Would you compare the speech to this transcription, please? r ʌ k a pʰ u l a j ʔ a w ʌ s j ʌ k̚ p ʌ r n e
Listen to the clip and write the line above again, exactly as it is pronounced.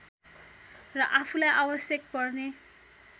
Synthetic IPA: r ʌ ʔ a pʰ u l a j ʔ a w ʌ s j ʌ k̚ p ʌ r n e